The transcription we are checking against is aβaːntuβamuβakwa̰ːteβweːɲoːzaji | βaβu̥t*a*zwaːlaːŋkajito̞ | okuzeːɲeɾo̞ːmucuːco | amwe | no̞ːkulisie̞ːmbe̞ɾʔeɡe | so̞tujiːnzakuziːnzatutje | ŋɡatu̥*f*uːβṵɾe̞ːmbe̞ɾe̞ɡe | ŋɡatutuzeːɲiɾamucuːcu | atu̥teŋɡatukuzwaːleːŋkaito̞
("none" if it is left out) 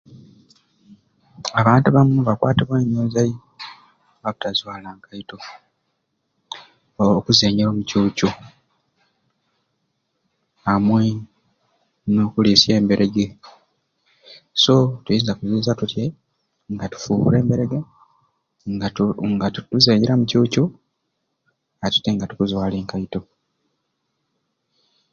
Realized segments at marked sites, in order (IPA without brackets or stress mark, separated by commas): a, f